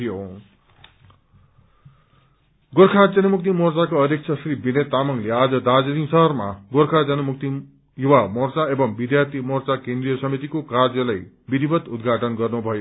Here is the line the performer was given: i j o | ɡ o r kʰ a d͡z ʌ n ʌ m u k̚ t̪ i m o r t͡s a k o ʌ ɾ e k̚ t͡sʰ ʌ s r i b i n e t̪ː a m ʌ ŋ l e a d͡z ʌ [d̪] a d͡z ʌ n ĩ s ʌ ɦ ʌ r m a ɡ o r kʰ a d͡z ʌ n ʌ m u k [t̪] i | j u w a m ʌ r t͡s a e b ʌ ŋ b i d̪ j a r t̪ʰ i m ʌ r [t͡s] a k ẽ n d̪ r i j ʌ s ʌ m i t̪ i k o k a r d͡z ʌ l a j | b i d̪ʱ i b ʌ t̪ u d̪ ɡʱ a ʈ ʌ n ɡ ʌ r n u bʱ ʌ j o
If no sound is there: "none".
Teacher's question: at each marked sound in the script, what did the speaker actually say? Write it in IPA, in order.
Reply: d̪, t̪, t͡s

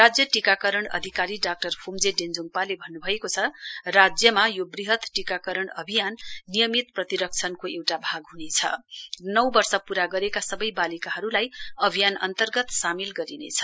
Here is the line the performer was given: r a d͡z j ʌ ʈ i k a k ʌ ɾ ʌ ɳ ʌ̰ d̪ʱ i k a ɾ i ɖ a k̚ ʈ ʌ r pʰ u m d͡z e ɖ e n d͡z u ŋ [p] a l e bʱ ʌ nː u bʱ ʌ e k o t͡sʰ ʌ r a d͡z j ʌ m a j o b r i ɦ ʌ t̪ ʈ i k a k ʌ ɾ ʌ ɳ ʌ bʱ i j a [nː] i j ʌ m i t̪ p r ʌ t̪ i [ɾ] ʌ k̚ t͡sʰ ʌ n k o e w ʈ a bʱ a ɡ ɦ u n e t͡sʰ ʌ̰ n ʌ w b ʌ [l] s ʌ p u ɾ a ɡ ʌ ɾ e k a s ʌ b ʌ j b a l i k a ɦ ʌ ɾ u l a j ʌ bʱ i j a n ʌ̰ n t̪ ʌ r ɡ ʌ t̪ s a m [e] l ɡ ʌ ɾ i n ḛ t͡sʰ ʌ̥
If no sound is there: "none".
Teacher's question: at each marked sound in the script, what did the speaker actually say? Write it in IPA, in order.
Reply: p, nː, ɾ, r, i

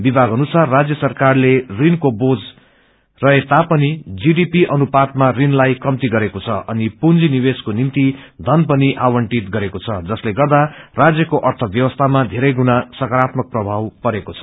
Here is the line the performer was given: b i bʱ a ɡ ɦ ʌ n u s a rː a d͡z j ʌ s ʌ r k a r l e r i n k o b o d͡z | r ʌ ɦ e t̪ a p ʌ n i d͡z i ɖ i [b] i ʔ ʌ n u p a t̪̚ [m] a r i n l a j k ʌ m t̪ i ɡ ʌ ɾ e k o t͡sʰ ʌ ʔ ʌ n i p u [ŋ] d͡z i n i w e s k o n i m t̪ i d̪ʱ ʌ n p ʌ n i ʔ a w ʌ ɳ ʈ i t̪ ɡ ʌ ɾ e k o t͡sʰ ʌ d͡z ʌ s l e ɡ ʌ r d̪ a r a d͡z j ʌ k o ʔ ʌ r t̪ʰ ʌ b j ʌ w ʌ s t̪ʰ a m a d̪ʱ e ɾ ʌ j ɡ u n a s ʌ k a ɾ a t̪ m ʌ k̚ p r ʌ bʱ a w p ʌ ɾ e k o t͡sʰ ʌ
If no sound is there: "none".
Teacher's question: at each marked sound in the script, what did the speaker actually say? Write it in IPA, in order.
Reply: p, m, n

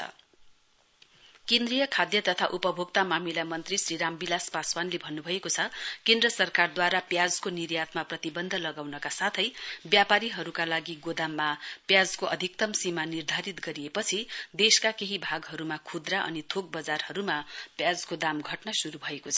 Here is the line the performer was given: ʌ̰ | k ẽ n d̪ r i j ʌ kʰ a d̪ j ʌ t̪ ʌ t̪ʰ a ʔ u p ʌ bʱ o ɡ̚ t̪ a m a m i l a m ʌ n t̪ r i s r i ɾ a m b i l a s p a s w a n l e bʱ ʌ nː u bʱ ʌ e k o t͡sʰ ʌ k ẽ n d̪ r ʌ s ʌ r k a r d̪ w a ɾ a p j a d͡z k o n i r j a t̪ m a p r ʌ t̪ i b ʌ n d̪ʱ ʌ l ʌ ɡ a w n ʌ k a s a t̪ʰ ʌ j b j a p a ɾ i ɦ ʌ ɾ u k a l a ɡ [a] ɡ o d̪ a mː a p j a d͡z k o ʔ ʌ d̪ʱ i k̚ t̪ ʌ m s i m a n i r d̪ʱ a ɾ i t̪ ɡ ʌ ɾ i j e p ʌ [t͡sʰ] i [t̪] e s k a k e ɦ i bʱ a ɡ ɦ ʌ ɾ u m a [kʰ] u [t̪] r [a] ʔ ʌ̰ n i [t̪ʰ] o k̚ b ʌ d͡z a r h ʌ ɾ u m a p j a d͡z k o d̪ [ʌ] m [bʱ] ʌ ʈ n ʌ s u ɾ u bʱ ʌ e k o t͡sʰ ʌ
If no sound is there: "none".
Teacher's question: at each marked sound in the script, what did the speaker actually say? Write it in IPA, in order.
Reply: i, t͡sʰ, d̪, kʰ, d̪, a, t̪ʰ, a, ɡʱ

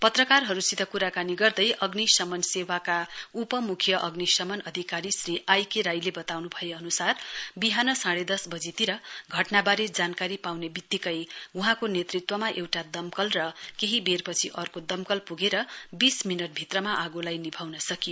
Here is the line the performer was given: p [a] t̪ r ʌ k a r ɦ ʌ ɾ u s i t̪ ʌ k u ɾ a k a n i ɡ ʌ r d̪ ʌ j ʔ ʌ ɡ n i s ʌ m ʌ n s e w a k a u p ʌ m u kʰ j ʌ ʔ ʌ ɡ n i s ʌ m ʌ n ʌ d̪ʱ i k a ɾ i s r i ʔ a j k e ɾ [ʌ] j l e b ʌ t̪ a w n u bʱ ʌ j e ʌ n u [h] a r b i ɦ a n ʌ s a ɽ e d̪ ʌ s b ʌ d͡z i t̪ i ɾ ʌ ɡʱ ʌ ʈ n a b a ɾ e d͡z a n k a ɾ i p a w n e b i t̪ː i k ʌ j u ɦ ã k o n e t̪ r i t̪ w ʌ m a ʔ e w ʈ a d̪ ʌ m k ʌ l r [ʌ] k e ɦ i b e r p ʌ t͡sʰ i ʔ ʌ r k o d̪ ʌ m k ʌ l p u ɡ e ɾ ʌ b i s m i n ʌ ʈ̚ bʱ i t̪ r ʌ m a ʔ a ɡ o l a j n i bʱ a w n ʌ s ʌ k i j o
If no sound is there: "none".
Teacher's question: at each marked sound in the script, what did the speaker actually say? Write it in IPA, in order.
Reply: ʌ, a, s, ʌ

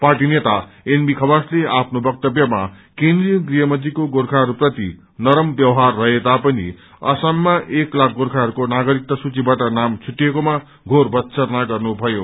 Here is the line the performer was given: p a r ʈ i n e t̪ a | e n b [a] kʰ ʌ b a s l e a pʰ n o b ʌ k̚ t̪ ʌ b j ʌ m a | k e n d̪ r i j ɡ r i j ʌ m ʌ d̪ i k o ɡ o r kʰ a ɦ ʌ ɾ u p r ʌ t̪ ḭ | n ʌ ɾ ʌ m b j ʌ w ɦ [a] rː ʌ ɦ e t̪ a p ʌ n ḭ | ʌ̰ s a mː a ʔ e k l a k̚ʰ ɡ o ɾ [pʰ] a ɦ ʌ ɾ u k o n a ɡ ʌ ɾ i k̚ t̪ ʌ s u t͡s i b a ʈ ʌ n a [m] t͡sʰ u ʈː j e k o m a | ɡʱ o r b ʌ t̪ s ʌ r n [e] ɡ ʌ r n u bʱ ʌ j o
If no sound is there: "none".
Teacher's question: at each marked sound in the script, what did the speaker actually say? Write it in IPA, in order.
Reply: i, a, kʰ, m, a

